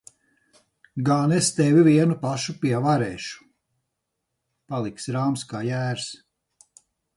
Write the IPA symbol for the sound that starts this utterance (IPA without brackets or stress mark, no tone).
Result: ɡ